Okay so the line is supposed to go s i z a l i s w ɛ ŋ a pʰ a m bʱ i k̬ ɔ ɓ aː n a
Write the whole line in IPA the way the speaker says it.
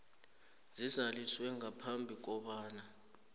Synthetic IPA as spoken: z i z a l i s w ɛ ŋ a pʰ a m bʱ i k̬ ɔ ɓ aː n a

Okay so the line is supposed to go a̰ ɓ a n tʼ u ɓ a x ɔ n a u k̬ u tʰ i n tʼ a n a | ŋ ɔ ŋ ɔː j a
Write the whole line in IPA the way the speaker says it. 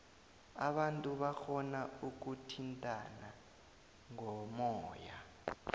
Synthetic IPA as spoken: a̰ ɓ a n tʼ u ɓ a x ɔ n a u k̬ u tʰ i n tʼ a n a | ŋ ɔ m ɔː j a

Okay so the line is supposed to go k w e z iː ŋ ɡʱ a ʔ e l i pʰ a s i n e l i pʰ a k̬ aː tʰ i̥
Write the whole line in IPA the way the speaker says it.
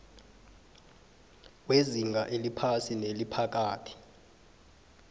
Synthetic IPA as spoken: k w e z i ŋ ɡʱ a ʔ e l i pʰ a s i n e l i pʰ a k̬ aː tʰ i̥

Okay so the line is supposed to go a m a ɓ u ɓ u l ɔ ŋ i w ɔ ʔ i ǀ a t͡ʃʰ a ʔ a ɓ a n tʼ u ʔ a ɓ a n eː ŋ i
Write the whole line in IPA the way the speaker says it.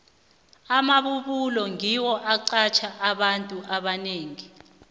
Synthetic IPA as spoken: a m a ɓ u ɓ u l ɔ ŋ i w ɔ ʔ a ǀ a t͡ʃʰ a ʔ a ɓ a n tʼ u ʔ a ɓ a n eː ŋ i

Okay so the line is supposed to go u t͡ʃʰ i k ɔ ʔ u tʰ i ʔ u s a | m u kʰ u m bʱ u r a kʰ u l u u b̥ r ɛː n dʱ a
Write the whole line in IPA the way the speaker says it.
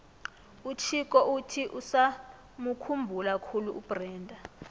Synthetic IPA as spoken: u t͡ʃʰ i k ɔ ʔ u tʰ i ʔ u s a | m u kʰ u m bʱ u l a kʰ u l u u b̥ r ɛː n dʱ a

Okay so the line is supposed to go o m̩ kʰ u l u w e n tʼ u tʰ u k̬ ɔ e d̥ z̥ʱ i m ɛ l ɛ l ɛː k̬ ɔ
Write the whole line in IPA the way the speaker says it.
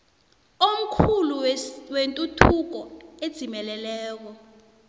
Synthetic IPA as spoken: o m̩ kʰ u l u w e n tʼ u tʰ u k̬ ɔ e d̥ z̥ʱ i m ɛ l ɛ l ɛː k̬ ɔ

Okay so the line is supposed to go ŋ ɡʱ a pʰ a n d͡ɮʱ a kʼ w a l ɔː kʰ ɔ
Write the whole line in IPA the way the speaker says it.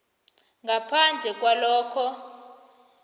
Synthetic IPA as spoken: ŋ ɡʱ a pʰ a n d͡ɮʱ ɛ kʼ w a l ɔː kʰ ɔ

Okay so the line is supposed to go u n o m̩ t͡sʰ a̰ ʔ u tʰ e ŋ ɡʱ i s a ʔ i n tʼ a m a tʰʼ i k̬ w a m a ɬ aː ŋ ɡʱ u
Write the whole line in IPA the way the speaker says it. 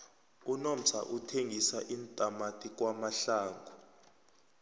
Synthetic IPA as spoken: u n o m̩ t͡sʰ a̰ ʔ u tʰ e ŋ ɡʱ i s a ʔ i n tʼ a m a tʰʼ i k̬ w a m a ɬ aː ŋ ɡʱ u

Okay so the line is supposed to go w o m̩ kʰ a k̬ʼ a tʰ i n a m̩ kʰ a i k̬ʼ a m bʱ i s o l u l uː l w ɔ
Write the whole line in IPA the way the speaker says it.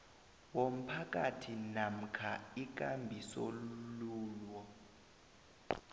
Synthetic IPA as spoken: w o m̩ pʰ a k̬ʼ a tʰ i n a m̩ kʰ a i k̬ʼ a m bʱ i s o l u l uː l w ɔ

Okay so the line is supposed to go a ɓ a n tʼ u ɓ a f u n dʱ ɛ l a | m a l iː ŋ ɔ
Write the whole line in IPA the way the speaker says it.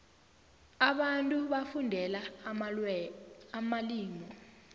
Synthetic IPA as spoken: a ɓ a n tʼ u ɓ a f u n dʱ ɛ l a | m a l iː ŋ ɔ

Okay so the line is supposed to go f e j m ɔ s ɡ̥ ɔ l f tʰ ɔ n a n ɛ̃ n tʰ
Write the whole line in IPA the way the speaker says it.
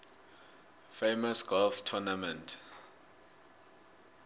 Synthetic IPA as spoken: f e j m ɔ s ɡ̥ ɔ l f tʰ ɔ n a m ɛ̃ n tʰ

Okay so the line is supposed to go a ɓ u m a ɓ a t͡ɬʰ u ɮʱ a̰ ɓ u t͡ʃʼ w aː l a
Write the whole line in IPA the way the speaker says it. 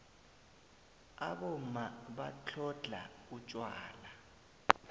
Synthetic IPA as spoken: a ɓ ɔ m a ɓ a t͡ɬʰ ɔ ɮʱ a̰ u t͡ʃʼ w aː l a

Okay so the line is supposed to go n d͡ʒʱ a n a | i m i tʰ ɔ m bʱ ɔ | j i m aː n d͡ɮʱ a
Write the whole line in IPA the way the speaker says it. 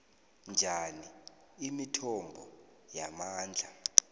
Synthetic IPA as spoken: n d͡ʒʱ a n i | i m i tʰ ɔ m bʱ ɔ | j a m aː n d͡ɮʱ a

